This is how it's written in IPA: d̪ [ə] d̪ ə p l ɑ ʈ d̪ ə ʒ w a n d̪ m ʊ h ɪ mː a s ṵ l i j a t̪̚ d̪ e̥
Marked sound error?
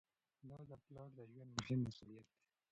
yes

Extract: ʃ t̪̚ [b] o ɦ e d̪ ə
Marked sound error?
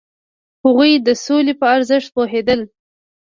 yes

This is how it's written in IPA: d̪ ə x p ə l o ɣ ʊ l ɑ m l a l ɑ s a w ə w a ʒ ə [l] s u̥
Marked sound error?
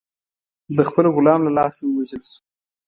no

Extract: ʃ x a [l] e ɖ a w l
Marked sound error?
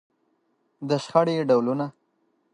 yes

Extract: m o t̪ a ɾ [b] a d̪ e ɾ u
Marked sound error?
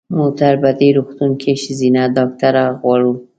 no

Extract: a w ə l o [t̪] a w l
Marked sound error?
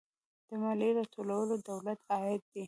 yes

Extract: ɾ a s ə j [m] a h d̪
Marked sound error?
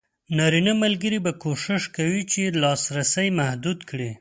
no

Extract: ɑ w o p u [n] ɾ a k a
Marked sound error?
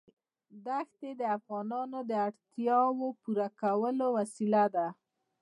yes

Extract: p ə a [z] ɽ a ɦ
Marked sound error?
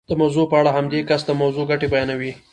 yes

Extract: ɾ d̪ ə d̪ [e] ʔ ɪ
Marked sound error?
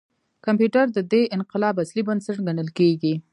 no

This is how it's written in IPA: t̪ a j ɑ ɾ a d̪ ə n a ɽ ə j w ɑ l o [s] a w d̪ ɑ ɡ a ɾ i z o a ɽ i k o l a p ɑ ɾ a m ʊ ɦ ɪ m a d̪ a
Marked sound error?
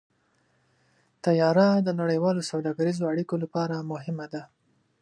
no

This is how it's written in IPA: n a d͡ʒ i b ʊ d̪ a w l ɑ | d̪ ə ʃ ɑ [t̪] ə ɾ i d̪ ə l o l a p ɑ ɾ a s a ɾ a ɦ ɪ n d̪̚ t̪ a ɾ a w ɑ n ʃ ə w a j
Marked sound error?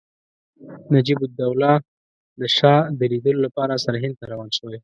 yes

